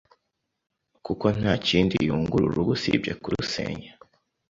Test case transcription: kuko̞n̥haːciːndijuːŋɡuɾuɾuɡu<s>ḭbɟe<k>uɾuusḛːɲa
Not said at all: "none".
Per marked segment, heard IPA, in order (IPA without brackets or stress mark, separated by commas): s, k